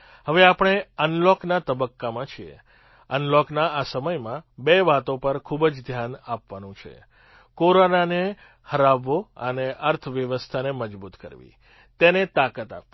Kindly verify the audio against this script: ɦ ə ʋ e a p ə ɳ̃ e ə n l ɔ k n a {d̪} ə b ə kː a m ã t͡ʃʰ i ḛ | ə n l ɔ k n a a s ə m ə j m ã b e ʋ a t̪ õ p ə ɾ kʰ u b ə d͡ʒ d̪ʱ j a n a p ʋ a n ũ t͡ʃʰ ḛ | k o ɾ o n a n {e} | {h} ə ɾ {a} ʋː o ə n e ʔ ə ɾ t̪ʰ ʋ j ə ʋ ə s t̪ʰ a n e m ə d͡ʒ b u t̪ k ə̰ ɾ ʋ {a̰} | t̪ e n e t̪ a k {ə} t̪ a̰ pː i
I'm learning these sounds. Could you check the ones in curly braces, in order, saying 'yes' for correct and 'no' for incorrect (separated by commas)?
no, yes, yes, yes, no, yes